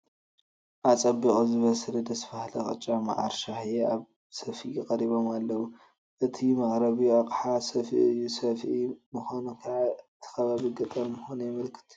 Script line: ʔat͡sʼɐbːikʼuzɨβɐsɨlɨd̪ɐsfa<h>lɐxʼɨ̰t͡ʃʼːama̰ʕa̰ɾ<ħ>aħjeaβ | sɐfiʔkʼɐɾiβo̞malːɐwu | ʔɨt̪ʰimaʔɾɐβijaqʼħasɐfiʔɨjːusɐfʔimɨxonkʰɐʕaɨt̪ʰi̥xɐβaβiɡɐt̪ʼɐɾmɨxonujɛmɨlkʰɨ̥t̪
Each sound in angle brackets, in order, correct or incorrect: correct, incorrect: ʃ

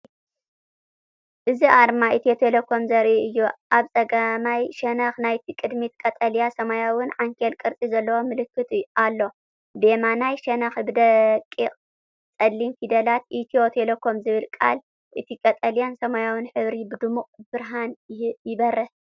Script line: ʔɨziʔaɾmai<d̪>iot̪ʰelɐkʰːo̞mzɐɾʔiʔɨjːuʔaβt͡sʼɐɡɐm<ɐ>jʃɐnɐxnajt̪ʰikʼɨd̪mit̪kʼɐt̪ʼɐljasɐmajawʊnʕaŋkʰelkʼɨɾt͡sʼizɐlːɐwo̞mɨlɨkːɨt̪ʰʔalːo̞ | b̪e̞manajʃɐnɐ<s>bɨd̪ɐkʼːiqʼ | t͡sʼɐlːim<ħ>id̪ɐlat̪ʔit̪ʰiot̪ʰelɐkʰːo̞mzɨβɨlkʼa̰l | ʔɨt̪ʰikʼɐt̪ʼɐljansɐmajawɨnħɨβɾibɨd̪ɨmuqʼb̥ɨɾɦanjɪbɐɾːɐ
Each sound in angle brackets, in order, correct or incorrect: incorrect: t̪, incorrect: a, incorrect: x, incorrect: f

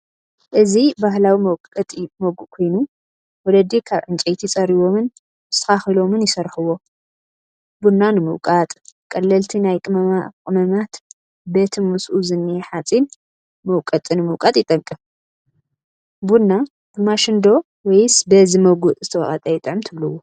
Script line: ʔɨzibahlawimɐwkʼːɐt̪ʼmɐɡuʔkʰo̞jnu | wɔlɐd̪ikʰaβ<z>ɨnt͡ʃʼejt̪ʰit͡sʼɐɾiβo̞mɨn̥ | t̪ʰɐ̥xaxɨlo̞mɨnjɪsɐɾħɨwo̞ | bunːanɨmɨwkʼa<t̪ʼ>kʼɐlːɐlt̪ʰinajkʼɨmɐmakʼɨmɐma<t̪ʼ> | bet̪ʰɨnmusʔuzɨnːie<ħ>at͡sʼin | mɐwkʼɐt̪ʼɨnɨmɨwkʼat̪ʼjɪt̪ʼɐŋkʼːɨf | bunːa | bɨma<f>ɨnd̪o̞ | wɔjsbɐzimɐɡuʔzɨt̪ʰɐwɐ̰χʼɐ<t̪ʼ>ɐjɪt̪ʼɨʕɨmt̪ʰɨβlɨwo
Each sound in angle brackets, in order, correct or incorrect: incorrect: ʕ, correct, incorrect: t̪, correct, incorrect: ʃ, correct

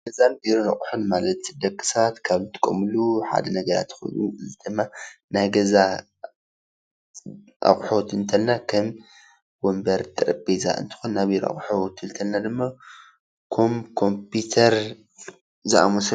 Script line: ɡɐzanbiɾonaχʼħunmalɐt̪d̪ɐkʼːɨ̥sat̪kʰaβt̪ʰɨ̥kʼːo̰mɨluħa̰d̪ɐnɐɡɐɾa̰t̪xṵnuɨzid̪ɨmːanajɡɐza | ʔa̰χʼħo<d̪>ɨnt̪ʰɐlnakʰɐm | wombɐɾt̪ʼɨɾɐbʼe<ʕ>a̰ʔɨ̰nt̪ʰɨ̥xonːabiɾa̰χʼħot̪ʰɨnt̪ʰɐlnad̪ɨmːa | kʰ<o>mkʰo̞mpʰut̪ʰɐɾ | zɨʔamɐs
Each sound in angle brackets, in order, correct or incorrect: incorrect: t̪, incorrect: z, correct

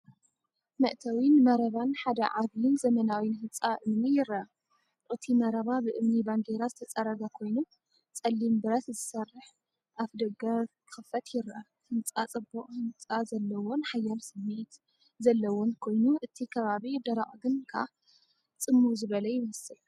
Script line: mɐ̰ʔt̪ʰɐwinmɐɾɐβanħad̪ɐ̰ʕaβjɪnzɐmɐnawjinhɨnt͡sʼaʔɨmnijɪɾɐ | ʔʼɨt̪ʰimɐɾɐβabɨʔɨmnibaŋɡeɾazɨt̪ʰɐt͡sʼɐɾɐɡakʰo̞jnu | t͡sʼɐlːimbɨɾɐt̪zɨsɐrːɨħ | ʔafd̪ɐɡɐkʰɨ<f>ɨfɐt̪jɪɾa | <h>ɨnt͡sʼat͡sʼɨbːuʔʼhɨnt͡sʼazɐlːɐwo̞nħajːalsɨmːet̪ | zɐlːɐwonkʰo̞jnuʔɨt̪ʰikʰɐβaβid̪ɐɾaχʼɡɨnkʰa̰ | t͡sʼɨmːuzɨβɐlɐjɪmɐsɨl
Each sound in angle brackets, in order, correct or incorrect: incorrect: x, correct

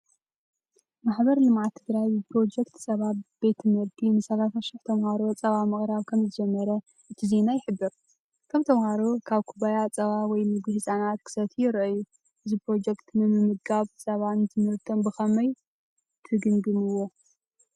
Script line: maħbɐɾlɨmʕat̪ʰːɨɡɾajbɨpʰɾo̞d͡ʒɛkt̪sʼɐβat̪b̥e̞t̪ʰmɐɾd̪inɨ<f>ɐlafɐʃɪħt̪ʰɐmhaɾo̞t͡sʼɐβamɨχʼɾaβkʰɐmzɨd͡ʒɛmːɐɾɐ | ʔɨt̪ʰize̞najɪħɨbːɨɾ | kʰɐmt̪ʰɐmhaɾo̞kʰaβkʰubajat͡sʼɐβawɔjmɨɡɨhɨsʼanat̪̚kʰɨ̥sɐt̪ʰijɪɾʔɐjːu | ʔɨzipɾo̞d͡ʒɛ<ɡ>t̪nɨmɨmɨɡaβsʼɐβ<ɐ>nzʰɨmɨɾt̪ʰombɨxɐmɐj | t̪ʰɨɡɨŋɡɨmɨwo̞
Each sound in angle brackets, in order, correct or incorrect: incorrect: s, incorrect: k, incorrect: a

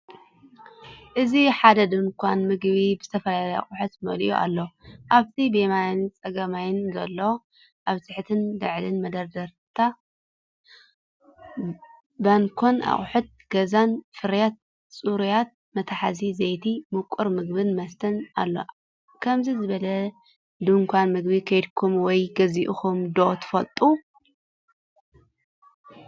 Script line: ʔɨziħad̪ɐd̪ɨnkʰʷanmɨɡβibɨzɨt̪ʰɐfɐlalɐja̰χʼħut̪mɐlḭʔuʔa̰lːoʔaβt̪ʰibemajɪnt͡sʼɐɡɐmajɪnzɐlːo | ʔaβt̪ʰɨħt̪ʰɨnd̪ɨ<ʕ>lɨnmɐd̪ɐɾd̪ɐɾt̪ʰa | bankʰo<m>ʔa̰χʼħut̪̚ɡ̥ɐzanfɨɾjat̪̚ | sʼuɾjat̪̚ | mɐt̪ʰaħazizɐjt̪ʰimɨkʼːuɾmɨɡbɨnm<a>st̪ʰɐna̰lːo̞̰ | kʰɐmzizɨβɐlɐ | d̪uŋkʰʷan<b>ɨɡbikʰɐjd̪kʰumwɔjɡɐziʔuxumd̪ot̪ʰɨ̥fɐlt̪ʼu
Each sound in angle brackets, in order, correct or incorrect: correct, incorrect: n, incorrect: ɐ, incorrect: m

